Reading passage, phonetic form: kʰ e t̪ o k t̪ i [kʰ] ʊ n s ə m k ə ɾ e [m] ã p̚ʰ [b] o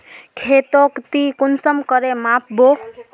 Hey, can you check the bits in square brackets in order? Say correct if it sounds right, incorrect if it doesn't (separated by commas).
incorrect, correct, correct